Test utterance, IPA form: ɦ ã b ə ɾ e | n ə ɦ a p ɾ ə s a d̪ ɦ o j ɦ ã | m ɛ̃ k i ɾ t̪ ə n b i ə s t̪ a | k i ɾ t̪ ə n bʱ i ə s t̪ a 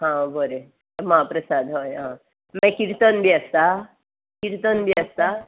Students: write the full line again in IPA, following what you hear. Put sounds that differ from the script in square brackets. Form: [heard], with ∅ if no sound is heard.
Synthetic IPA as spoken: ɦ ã b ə ɾ e | [m] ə ɦ a p ɾ ə s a d̪ ɦ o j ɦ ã | m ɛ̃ k i ɾ t̪ ə n b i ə s t̪ a | k i ɾ t̪ ə n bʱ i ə s t̪ a